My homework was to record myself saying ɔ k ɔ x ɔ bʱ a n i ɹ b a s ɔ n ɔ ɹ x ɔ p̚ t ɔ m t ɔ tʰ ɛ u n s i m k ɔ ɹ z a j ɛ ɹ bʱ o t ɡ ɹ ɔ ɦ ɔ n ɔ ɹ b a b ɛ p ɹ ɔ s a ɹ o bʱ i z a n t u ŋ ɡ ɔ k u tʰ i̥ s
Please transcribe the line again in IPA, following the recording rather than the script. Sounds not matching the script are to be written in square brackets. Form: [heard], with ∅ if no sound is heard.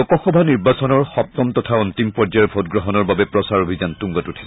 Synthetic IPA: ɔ k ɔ x ɔ bʱ a n i ɹ b a s ɔ n ɔ ɹ x ɔ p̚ t ɔ m t ɔ tʰ [a] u n [t] i m [p] ɔ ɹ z a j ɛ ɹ bʱ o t ɡ ɹ ɔ ɦ ɔ n ɔ ɹ b a b ɛ p ɹ ɔ s a ɹ o bʱ i z a n t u ŋ ɡ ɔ [t] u tʰ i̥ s